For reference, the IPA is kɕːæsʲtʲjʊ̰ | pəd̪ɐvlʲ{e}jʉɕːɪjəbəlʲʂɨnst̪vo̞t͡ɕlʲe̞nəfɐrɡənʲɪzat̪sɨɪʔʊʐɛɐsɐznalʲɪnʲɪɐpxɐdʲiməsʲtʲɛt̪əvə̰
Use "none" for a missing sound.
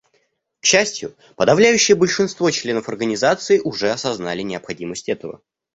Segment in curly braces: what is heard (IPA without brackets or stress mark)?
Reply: æ